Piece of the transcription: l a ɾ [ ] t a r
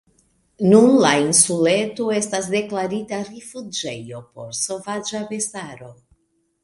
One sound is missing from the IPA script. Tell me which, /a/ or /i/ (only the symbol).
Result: i